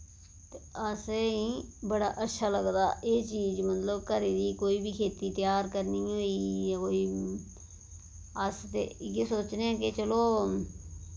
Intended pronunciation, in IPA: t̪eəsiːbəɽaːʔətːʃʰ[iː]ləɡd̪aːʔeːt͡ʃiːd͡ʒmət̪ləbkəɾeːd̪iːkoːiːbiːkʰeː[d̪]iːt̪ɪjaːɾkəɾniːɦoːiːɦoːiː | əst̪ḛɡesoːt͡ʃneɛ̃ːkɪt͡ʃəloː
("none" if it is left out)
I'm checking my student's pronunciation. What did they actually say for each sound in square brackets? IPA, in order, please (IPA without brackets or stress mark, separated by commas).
aː, t̪